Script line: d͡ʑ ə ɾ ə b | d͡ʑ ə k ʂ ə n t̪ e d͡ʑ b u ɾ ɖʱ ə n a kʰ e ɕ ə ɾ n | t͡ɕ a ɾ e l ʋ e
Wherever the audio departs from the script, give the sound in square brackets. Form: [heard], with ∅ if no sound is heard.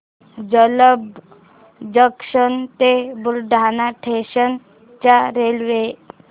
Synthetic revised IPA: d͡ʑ ə [l] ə b | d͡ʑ ə k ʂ ə n t̪ e [∅] b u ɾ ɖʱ [a] n a [ʈʰ] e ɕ ə [∅] n | t͡ɕ a ɾ e l ʋ e